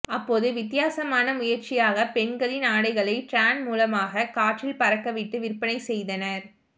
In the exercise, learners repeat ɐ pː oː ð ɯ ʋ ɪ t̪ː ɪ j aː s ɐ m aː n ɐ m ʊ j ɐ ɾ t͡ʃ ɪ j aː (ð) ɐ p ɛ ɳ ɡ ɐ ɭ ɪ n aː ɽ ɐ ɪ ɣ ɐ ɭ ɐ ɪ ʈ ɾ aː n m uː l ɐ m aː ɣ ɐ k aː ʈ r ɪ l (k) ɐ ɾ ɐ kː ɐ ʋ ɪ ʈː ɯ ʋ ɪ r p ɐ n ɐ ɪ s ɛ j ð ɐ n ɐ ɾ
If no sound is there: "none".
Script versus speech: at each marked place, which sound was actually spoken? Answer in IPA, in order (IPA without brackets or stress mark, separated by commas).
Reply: ɣ, p